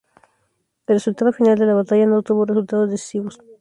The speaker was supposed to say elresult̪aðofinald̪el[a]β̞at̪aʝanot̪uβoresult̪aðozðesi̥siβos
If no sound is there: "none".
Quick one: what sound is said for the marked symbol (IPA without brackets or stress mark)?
a